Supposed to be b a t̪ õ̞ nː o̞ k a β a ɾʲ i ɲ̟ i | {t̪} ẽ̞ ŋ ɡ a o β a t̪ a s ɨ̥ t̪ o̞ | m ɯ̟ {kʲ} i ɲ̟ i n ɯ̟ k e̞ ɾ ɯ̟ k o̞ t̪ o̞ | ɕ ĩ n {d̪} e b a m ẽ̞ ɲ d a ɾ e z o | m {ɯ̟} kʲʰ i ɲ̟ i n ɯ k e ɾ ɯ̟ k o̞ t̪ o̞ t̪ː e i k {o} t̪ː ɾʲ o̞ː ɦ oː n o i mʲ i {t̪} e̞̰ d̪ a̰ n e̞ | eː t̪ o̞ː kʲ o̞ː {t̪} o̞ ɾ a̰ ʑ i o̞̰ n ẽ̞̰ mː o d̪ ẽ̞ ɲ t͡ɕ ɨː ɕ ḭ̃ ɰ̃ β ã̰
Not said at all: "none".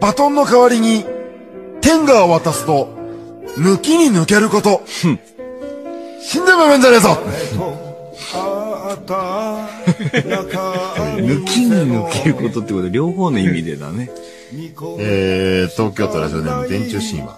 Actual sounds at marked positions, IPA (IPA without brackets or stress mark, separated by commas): t̪, kʲ, d̪, ɯ̟, o, d̪, t̪